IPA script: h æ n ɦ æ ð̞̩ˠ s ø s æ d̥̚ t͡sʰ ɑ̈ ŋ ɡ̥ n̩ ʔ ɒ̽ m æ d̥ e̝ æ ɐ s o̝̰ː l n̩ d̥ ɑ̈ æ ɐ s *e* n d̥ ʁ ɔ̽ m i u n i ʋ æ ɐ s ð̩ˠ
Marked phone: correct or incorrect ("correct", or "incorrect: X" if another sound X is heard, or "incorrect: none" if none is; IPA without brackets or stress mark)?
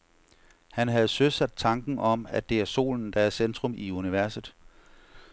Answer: correct